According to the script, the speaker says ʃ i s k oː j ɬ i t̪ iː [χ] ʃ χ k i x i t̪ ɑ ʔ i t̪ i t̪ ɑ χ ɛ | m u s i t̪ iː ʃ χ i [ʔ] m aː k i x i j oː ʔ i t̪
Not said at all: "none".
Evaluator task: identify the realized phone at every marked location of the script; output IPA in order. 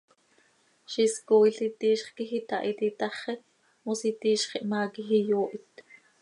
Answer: none, ʔ

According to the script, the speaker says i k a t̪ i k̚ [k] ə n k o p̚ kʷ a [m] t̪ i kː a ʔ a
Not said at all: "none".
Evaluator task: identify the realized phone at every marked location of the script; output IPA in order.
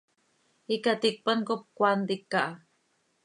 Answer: p, n

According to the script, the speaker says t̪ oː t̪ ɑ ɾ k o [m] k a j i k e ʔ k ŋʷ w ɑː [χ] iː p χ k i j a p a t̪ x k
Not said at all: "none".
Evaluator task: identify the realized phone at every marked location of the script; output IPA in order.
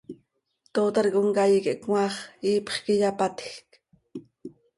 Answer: ŋ, χ

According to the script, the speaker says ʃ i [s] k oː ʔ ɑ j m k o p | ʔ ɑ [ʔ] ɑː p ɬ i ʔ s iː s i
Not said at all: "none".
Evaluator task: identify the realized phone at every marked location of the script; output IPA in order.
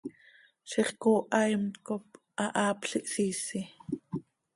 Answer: χ, ʔ

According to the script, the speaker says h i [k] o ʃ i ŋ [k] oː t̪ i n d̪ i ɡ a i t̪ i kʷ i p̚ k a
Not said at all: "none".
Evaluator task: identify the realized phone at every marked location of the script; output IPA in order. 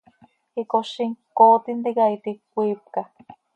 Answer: k, k

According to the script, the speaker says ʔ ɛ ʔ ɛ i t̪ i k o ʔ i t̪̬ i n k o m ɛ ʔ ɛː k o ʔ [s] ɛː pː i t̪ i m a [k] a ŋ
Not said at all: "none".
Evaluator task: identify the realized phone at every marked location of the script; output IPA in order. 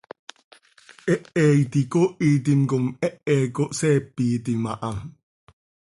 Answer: s, ʔ

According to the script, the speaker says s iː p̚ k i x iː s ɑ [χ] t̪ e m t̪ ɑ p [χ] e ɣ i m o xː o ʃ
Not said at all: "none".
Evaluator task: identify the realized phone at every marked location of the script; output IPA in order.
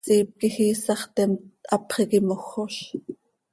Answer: χ, χ

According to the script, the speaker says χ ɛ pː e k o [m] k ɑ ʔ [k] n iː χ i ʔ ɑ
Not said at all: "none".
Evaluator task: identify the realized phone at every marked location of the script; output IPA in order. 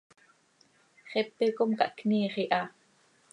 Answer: m, k

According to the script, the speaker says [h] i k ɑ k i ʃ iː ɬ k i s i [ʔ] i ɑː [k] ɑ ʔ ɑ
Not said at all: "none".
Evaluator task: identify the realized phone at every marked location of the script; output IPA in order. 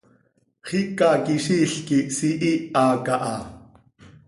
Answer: χ, ʔ, k

